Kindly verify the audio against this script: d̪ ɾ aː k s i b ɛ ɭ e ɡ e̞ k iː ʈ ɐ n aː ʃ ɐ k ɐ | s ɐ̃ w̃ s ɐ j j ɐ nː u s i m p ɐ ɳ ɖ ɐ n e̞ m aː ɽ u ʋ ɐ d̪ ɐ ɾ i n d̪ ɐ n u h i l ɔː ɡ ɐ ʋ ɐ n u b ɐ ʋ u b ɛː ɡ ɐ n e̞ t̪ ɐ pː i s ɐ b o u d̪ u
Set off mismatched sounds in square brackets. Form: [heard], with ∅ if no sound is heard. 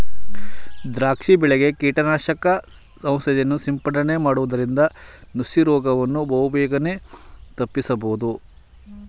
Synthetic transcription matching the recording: d̪ ɾ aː k [ʂ] i b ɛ ɭ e ɡ e̞ k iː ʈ ɐ n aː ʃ ɐ k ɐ | s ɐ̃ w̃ s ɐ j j ɐ nː u s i m p ɐ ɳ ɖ ɐ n e̞ m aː ɽ u ʋ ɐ d̪ ɐ ɾ i n d̪ ɐ n u [s] i [ɾ] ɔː ɡ ɐ ʋ ɐ [nː] u b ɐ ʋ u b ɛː ɡ ɐ n e̞ t̪ ɐ pː i s ɐ b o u d̪ u